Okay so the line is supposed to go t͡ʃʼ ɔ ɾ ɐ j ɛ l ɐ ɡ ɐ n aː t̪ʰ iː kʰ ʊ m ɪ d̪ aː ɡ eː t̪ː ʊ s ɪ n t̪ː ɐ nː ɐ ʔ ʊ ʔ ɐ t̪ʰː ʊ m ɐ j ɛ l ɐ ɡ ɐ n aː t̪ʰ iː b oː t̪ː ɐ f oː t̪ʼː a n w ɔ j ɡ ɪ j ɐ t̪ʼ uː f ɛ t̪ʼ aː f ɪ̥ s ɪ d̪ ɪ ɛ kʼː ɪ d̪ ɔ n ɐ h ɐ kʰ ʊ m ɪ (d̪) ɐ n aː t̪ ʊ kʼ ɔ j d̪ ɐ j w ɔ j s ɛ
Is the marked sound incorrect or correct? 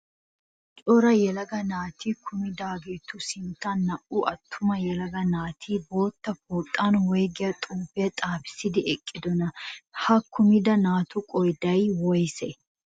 correct